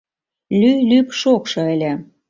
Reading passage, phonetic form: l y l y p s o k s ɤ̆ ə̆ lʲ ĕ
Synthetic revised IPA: l y l y p ʃ o k ʃ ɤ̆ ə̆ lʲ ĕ